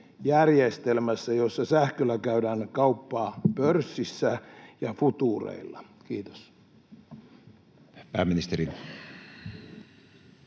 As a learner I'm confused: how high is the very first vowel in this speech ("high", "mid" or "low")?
low